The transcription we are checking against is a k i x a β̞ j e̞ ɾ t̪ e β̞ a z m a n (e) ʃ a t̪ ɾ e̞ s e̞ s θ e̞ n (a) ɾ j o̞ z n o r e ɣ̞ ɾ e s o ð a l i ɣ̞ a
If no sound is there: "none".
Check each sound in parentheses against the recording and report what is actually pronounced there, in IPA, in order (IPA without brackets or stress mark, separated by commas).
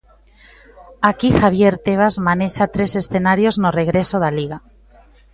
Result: e, a